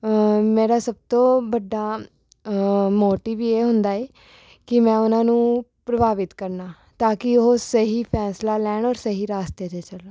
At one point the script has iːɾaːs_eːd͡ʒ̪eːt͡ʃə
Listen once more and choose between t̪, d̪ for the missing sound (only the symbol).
t̪